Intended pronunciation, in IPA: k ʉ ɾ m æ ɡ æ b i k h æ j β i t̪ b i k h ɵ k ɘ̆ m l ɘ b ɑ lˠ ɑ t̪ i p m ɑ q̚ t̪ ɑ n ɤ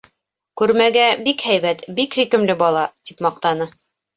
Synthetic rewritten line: k ʉ ɾ m æ ɡ æ b i k h æ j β æ t̪ b i k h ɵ k ɘ̆ m l ɘ b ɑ lˠ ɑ t̪ i p m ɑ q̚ t̪ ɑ n ɤ